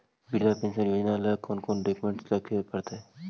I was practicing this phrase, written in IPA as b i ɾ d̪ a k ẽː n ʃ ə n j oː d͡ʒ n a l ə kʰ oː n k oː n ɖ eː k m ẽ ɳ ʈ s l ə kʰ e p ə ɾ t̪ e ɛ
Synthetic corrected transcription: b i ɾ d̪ a p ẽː n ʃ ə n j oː d͡ʒ n a l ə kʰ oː n k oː n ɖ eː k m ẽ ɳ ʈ s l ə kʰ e p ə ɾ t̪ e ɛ